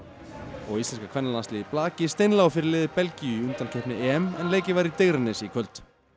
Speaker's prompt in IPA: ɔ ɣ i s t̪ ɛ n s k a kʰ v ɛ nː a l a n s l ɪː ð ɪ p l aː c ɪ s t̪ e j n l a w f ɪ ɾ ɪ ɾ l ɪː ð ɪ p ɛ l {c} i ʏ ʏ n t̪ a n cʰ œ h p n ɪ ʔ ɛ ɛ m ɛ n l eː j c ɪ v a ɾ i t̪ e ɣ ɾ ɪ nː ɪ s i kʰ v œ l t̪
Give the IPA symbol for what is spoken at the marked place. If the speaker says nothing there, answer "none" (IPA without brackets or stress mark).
c